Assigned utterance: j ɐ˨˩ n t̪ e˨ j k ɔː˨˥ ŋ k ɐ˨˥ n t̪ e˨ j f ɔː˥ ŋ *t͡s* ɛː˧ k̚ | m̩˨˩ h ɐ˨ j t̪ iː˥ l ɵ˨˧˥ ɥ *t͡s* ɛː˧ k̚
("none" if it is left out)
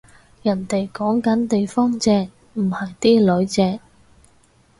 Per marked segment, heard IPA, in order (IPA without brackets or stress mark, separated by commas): t͡s, t͡s